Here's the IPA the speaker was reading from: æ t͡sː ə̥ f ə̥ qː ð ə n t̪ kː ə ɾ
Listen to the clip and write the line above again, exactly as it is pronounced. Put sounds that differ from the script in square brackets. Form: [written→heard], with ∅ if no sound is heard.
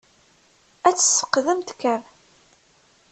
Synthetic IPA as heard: æ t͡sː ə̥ [f→s] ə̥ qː ð ə [n→m] t̪ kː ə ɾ